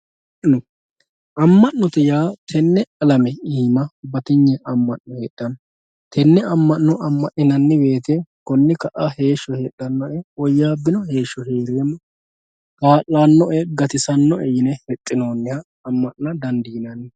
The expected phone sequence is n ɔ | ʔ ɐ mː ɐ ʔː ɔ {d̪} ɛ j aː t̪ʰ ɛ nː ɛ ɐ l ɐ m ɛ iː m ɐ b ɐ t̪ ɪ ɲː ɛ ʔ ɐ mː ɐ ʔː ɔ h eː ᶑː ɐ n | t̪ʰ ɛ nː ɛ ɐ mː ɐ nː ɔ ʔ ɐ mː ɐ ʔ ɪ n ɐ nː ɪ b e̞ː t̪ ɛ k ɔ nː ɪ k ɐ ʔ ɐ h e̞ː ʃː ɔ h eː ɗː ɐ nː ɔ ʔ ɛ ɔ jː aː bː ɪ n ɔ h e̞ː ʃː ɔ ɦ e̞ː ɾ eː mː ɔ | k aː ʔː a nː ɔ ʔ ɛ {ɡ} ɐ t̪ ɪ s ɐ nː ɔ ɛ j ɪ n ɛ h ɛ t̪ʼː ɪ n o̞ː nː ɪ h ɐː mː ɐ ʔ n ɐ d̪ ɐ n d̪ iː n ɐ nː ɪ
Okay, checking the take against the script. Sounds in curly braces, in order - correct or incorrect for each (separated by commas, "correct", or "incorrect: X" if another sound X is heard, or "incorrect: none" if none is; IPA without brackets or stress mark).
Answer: incorrect: t̪, correct